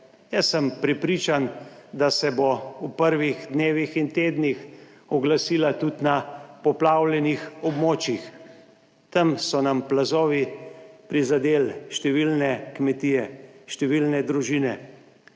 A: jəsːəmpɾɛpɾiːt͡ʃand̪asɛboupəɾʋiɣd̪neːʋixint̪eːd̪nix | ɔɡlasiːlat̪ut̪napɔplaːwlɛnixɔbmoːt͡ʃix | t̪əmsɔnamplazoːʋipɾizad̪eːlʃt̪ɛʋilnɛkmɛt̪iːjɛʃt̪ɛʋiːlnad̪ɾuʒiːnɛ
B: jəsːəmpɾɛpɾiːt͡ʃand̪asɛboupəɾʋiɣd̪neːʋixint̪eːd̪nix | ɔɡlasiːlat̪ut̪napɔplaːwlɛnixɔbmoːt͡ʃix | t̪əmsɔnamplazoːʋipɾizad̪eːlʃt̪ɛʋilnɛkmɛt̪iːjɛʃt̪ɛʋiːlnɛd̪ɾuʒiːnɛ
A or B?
B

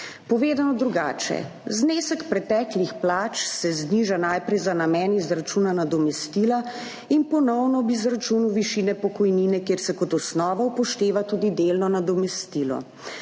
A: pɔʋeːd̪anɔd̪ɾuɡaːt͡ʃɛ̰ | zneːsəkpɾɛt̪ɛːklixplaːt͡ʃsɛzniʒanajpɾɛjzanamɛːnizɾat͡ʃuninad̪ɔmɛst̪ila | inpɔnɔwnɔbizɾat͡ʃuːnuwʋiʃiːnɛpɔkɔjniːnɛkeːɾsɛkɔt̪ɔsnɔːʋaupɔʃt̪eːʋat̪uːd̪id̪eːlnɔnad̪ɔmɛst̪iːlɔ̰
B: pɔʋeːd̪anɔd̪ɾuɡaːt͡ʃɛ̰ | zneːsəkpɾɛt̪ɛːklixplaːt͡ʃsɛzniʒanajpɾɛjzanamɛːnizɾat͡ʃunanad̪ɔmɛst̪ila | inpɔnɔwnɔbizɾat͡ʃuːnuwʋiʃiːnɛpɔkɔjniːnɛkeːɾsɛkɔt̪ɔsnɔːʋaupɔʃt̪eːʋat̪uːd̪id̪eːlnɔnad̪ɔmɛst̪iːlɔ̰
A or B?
B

